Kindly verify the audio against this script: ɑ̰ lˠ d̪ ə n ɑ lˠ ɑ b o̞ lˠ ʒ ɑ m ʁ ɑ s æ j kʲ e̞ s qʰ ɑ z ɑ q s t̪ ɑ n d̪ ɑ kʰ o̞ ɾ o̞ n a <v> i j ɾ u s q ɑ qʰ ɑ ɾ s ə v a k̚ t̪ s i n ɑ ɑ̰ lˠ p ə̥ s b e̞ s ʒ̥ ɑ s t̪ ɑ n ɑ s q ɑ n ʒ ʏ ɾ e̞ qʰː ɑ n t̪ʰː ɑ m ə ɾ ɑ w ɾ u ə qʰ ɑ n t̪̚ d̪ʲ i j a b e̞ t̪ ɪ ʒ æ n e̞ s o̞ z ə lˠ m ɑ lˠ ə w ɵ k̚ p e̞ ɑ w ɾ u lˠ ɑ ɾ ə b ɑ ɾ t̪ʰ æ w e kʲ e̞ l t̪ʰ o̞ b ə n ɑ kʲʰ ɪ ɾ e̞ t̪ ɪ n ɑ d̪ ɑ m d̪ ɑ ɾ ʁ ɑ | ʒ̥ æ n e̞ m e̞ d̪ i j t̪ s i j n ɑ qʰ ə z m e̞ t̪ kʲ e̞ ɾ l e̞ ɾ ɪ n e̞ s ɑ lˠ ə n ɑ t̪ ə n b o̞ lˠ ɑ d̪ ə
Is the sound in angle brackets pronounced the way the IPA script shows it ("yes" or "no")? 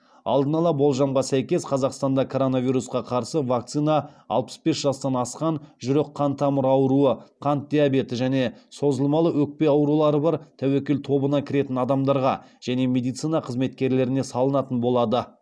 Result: yes